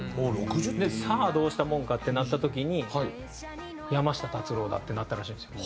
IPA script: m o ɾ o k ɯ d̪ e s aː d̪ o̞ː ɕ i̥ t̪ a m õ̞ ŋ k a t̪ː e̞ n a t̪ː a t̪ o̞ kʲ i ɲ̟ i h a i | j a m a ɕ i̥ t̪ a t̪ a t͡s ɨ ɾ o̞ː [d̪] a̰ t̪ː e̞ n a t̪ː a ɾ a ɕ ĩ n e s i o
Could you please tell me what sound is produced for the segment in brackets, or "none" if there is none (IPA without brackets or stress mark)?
d̪